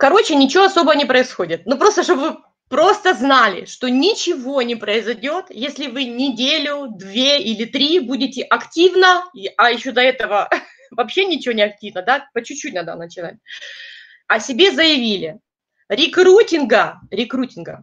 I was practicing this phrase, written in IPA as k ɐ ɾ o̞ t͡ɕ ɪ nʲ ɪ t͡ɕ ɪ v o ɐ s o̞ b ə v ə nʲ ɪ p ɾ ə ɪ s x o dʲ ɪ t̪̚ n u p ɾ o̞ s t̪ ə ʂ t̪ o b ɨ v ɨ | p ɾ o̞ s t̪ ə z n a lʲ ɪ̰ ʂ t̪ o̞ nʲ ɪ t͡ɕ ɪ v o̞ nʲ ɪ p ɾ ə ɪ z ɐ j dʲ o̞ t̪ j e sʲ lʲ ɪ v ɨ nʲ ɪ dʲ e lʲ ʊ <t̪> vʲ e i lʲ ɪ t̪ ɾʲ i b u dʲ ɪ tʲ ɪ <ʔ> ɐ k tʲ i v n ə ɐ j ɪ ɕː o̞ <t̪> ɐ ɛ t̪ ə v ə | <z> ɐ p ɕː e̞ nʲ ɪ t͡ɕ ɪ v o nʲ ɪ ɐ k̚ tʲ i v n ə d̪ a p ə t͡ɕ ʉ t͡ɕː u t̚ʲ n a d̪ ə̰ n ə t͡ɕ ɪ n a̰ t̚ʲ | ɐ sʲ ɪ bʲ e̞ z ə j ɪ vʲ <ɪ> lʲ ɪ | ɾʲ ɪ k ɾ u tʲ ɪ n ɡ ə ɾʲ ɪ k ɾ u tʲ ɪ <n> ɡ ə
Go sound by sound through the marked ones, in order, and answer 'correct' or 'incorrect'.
incorrect: d̪, correct, incorrect: d̪, incorrect: v, incorrect: i, correct

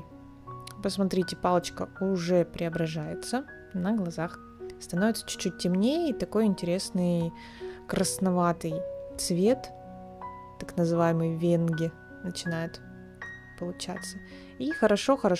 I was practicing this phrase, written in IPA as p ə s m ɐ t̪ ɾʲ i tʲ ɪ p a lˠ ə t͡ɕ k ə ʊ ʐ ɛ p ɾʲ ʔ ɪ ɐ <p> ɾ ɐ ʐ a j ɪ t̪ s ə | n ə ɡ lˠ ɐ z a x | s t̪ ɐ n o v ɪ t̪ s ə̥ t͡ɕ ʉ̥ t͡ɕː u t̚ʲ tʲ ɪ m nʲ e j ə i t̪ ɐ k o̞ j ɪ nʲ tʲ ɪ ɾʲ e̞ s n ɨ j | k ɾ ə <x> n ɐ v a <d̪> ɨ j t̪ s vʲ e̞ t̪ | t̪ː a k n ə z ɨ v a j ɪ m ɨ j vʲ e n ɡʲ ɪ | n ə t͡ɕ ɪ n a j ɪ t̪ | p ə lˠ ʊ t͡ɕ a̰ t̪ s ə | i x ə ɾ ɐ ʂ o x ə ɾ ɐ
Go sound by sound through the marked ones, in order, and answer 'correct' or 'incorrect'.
incorrect: b, incorrect: s, incorrect: t̪

